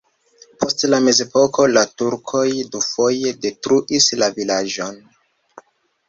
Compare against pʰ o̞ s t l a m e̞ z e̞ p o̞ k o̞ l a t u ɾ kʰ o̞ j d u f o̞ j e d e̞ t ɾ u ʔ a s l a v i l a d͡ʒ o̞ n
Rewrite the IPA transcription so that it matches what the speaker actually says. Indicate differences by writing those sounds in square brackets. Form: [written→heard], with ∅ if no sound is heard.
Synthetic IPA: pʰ o̞ s t l a m e̞ z e̞ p o̞ k o̞ l a t u ɾ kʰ o̞ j d u f o̞ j e d e̞ t ɾ u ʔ [a→i] s l a v i l a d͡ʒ o̞ n